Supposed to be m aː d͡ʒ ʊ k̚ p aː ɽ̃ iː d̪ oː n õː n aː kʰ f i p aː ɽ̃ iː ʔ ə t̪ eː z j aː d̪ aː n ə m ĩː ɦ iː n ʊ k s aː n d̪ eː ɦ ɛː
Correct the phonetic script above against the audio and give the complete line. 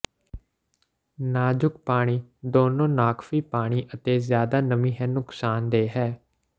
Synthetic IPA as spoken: n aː d͡ʒ ʊ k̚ p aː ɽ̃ iː d̪ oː n õː n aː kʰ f iː p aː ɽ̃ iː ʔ ə t̪ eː z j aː d̪ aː n ə m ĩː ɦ ɛː n ʊ k s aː n d̪ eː ɦ ɛː